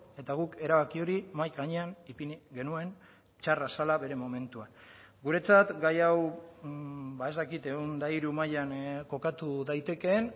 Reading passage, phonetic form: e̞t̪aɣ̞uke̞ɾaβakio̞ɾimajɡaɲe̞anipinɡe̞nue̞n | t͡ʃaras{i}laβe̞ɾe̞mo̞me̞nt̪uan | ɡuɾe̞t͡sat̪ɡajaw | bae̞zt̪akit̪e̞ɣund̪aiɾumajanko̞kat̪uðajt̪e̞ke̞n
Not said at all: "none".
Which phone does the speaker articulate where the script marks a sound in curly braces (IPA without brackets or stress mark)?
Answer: a